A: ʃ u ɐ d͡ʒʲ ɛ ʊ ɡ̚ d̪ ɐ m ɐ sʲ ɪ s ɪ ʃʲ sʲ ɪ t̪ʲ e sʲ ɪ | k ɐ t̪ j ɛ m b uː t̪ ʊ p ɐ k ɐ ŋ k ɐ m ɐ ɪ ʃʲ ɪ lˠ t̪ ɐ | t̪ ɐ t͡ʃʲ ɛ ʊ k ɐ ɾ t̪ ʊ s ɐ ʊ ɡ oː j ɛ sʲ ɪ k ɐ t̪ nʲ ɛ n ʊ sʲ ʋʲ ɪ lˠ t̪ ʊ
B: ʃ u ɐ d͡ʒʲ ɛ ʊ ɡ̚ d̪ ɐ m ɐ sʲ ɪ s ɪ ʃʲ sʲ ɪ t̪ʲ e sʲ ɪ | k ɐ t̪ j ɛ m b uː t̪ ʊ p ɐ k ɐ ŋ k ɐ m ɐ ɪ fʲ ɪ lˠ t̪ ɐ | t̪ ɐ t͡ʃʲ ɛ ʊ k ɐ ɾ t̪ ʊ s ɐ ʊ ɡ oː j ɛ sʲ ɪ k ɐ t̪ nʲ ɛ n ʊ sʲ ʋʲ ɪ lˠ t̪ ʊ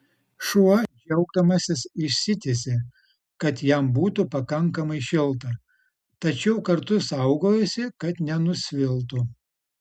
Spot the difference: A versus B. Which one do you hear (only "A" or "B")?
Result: A